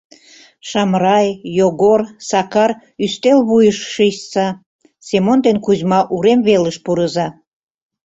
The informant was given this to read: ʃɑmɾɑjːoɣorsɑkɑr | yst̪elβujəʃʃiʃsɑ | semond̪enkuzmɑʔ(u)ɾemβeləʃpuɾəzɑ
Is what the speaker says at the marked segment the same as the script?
yes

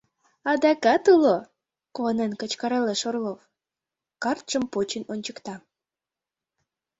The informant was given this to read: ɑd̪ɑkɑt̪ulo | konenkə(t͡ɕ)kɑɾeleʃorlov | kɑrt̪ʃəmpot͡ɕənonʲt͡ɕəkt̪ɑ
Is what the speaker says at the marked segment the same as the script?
yes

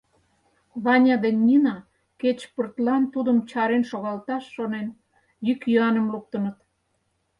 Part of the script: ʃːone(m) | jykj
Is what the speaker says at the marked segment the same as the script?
no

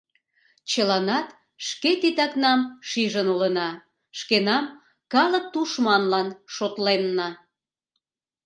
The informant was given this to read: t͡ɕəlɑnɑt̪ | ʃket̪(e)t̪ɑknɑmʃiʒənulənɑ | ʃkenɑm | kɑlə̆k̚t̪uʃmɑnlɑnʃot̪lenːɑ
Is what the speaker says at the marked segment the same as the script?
no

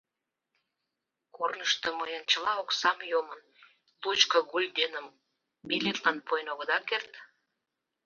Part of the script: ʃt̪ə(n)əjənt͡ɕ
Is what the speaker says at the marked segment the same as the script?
no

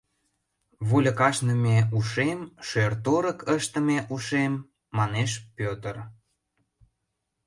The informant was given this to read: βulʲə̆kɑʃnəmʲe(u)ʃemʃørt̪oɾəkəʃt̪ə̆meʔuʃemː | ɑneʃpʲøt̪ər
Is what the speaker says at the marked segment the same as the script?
yes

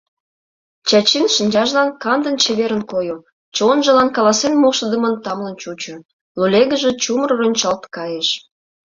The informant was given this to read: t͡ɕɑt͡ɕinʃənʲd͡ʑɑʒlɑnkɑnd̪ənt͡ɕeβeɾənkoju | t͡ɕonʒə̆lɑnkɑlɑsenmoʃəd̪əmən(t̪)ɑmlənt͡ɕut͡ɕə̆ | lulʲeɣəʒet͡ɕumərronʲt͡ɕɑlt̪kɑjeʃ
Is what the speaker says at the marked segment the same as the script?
yes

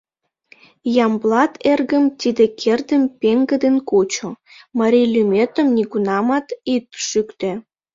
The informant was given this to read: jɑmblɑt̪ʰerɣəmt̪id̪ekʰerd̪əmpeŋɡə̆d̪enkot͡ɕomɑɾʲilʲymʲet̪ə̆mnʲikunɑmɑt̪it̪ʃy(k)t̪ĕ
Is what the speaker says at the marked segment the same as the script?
yes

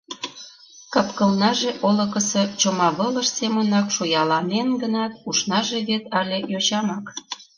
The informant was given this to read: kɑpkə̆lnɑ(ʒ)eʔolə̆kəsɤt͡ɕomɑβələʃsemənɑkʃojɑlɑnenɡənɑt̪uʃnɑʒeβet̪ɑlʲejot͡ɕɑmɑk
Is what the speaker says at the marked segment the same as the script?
yes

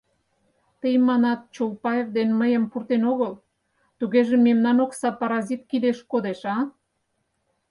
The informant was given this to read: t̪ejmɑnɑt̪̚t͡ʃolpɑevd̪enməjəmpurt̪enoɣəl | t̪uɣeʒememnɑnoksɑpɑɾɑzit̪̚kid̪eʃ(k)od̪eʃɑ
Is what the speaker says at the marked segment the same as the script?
yes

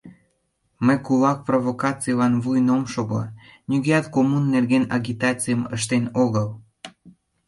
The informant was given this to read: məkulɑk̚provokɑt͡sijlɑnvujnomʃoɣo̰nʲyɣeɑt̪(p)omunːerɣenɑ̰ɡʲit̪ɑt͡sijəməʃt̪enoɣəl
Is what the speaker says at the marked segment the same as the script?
no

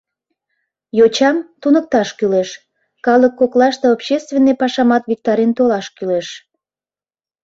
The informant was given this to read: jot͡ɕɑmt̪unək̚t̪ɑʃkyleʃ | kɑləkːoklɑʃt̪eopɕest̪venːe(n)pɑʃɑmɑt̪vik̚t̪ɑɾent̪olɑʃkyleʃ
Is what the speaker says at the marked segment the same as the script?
no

